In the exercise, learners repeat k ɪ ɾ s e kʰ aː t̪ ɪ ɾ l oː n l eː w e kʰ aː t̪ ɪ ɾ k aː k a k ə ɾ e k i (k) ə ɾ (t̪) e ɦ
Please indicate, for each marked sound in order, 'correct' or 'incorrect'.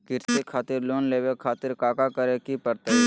incorrect: p, correct

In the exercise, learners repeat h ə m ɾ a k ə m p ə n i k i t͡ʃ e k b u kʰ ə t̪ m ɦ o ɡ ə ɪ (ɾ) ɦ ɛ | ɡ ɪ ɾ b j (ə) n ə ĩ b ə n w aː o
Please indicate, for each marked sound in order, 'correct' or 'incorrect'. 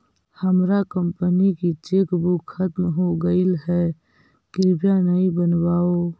incorrect: l, incorrect: a

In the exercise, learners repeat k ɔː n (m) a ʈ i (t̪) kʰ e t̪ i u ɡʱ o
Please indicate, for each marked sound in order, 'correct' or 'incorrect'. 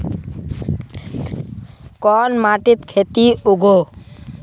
correct, correct

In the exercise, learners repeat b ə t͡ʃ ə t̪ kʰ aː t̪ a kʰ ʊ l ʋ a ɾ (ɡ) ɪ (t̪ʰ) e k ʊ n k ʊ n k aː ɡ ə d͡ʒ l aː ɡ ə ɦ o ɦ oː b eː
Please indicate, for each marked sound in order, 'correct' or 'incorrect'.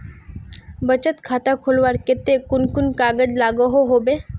incorrect: k, incorrect: t̪

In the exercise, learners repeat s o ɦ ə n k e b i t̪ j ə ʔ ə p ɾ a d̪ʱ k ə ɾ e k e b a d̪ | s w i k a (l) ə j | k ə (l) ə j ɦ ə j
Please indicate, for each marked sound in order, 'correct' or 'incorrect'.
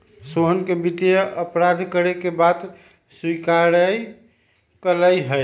incorrect: ɾ, correct

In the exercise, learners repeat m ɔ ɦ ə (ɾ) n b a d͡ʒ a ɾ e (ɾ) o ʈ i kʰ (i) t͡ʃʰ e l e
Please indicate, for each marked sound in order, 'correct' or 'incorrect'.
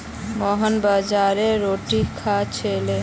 incorrect: none, correct, incorrect: a

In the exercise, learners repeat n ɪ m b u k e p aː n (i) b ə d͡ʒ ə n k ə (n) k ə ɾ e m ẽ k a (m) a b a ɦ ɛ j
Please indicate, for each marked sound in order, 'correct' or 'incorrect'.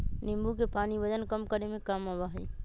correct, incorrect: m, correct

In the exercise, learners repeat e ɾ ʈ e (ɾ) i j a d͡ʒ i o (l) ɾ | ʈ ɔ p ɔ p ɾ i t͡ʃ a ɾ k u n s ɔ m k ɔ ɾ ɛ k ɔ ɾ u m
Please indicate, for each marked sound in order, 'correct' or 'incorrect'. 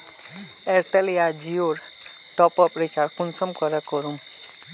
incorrect: l, incorrect: none

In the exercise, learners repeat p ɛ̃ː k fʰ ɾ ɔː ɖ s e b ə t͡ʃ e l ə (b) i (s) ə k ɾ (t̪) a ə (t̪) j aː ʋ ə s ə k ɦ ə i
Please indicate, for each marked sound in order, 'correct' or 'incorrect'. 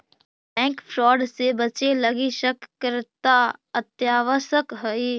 incorrect: ɡ, incorrect: ʃ, correct, correct

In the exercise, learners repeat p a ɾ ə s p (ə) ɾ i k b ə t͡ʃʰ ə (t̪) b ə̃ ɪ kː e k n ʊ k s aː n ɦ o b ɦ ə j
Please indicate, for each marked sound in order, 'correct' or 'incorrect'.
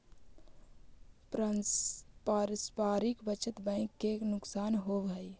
incorrect: a, correct

